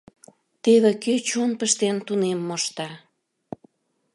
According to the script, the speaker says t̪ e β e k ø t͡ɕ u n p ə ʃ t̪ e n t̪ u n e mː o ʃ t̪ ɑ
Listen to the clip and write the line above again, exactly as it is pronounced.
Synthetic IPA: t̪ e β e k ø t͡ɕ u n p ə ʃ t̪ e n t̪ u n e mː o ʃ t̪ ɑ